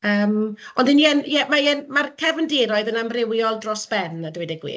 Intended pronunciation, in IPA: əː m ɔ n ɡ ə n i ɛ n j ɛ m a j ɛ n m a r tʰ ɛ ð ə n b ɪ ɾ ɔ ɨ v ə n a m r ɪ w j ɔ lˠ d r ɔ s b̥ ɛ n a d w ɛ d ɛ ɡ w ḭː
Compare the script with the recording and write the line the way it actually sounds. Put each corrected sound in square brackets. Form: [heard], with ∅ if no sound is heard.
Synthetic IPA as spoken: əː m ɔ n [d] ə n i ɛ n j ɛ m a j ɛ n m a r [kʰ] ɛ [v] ə n [d] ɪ ɾ ɔ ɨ [ð] ə n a m r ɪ w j ɔ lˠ d r ɔ s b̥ ɛ n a d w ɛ d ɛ ɡ w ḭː